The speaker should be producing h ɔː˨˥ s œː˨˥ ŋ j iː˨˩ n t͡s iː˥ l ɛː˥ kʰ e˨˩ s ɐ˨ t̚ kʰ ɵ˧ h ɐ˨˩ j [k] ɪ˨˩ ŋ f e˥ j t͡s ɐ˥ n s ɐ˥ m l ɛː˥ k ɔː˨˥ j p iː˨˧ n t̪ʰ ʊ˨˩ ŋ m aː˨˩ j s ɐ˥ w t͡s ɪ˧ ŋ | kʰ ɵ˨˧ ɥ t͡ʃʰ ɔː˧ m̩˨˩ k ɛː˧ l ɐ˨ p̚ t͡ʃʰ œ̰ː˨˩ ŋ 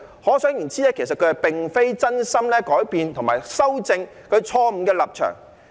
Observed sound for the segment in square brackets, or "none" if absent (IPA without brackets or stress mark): p